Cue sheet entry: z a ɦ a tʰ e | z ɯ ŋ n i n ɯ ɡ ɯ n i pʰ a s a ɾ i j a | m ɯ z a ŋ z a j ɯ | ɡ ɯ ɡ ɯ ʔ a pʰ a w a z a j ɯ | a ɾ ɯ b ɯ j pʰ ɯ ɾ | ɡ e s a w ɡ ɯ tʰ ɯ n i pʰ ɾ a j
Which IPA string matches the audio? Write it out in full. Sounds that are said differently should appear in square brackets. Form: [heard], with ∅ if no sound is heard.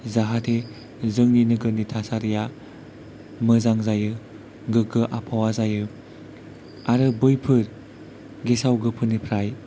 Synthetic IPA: z a ɦ a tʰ e | z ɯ ŋ n i n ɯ ɡ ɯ n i [tʰ] a s a ɾ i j a | m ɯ z a ŋ z a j ɯ | ɡ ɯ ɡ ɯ ʔ a pʰ a w a z a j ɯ | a ɾ ɯ b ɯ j pʰ ɯ ɾ | ɡ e s a w ɡ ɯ [pʰ] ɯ n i pʰ ɾ a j